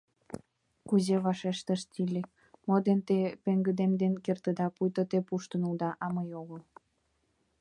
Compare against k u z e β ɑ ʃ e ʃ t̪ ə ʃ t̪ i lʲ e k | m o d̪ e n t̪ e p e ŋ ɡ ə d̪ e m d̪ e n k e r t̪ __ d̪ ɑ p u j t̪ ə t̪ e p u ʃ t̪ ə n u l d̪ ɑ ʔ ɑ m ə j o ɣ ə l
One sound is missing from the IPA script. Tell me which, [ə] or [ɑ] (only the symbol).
ə